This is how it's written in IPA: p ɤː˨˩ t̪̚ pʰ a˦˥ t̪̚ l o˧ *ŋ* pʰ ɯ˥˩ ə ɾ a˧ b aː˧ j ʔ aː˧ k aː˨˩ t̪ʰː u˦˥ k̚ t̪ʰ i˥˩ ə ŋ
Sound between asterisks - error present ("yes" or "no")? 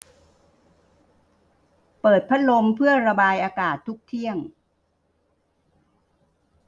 yes